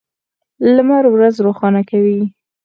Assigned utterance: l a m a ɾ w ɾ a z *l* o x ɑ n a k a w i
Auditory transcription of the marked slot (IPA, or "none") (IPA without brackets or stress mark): ɾ